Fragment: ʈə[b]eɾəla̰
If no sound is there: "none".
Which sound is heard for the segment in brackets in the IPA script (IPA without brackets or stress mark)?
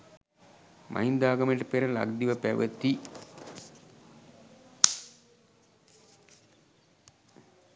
p